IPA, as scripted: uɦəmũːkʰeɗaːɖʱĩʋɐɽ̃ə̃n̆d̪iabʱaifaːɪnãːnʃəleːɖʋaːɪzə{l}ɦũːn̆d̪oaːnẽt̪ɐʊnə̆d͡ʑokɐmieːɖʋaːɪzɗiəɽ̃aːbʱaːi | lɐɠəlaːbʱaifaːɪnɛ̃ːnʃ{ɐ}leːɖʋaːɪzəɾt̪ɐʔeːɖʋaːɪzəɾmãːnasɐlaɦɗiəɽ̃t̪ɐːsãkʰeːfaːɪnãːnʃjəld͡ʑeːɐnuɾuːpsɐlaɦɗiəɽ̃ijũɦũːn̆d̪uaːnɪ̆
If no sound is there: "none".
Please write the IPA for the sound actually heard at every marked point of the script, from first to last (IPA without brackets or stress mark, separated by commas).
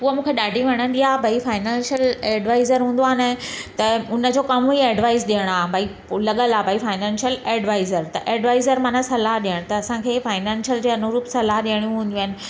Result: ɾ, ə